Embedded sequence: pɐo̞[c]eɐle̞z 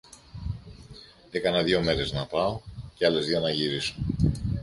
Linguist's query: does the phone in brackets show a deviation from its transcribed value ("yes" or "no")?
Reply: no